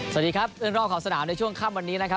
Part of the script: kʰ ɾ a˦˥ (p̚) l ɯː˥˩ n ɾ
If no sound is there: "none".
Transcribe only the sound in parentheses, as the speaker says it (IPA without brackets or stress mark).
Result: p̚